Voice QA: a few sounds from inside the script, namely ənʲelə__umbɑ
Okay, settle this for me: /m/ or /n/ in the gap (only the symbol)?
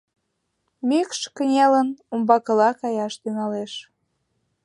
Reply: n